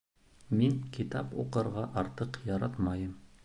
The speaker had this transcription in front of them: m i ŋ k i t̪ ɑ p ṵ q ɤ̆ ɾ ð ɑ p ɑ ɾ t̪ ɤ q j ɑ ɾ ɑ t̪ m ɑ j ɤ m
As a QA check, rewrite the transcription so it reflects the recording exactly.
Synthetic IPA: m i ŋ k i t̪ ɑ p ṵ q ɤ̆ ɾ ʁ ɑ ʔ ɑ ɾ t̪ ɤ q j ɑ ɾ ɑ t̪ m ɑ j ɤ m